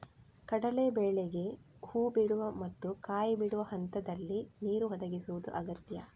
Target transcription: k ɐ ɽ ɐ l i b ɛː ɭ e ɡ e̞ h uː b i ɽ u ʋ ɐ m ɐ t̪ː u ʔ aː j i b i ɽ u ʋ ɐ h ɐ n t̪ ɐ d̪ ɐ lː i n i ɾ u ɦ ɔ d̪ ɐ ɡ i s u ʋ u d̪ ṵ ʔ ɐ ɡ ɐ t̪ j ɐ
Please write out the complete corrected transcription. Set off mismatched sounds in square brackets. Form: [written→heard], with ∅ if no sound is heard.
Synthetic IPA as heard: k ɐ ɽ ɐ l [i→e] b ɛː ɭ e ɡ e̞ h uː b i ɽ u ʋ ɐ m ɐ t̪ː u [ʔ→k] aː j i b i ɽ u ʋ ɐ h ɐ n t̪ ɐ d̪ ɐ lː i n [i→iː] ɾ u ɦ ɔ d̪ ɐ ɡ i s u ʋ u d̪ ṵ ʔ ɐ ɡ ɐ t̪ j ɐ